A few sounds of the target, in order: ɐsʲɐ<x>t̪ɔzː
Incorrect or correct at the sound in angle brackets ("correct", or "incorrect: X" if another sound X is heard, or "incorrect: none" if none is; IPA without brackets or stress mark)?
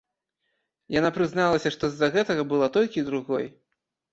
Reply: incorrect: ʂ